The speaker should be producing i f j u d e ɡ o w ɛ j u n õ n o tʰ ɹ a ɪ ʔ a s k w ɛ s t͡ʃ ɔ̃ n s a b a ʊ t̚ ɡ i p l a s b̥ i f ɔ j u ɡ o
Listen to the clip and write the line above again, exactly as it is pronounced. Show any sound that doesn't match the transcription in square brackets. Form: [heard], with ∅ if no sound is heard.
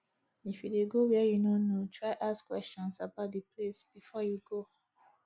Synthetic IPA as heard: i f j u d e ɡ o w ɛ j u n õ n o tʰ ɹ a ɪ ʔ a s k w ɛ s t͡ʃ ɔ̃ n s a b a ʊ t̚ [d] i p l [e] s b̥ i f ɔ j u ɡ o